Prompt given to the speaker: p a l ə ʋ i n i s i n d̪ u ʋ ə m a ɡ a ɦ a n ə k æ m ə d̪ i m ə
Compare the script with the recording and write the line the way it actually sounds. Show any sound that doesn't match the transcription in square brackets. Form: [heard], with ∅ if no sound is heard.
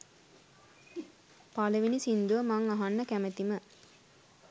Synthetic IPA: p a l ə ʋ i n i s i n d̪ u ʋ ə m a [ŋ] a ɦ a [nː] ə k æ m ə [t̪] i m ə

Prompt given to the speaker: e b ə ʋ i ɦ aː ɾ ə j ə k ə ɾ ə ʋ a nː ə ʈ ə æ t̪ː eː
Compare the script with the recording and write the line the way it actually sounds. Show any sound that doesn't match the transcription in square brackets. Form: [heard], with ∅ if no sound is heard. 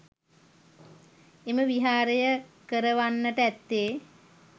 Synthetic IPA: e [m] ə ʋ i ɦ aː ɾ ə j ə k ə ɾ ə ʋ a nː ə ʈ ə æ t̪ː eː

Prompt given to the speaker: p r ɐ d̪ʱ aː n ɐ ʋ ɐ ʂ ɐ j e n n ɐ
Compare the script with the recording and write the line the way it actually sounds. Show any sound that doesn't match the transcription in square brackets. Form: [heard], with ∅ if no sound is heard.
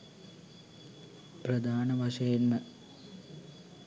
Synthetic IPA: p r ɐ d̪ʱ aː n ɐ ʋ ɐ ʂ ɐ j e n [m] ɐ

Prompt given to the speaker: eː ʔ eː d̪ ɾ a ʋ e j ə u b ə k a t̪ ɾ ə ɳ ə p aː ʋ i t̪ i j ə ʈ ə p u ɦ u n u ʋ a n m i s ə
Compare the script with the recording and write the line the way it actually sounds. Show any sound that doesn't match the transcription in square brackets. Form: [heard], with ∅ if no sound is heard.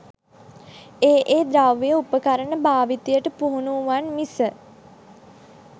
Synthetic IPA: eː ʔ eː d̪ ɾ a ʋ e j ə u [p] ə k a [∅] ɾ ə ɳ ə [b] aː ʋ i t̪ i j ə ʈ ə p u ɦ u n u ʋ a n m i s ə

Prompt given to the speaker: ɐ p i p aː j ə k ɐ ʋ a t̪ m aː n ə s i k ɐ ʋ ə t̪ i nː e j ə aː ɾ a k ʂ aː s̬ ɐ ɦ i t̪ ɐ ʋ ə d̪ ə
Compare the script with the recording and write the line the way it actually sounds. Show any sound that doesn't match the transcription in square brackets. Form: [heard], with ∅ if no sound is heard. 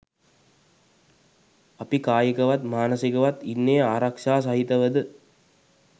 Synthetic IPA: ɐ p i [k] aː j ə k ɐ ʋ a t̪ m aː n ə s i k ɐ ʋ [a] t̪ i nː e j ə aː ɾ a k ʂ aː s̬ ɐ ɦ i t̪ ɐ ʋ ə d̪ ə

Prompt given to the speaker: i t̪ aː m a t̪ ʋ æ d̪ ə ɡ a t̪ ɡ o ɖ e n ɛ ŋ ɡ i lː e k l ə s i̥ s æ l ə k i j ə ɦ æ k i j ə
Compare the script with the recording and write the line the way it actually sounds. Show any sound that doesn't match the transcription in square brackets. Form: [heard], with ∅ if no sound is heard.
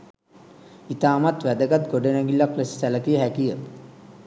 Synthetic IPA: i t̪ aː m a t̪ ʋ æ d̪ ə ɡ a t̪ ɡ o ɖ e n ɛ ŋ ɡ i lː [a] k l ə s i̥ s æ l ə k i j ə ɦ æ k i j ə

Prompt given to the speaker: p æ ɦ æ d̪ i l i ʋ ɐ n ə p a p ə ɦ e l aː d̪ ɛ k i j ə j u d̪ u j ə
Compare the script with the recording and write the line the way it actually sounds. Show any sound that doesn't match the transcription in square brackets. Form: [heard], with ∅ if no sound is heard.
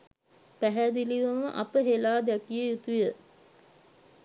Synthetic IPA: p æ ɦ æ d̪ i l i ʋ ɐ [m] ə [ʔ] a p ə ɦ e l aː d̪ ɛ k i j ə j u [t̪] u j ə

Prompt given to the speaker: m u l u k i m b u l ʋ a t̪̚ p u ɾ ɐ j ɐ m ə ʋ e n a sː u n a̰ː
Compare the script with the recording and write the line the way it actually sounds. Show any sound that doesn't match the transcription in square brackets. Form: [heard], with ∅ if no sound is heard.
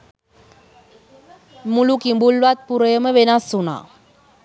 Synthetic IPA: m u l u k i m b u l ʋ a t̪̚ p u ɾ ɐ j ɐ m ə ʋ e n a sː u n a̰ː

